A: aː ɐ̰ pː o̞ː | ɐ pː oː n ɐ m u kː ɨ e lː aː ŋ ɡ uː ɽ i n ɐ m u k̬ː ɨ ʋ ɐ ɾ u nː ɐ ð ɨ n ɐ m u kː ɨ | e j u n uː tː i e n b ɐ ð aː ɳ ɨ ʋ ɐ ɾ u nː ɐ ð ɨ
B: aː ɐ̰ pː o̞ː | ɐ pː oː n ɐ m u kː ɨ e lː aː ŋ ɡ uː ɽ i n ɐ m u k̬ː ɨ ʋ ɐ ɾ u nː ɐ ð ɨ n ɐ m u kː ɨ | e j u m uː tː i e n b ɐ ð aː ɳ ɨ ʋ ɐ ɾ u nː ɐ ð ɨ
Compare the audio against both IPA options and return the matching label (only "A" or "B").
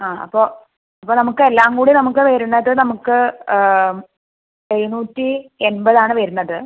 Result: A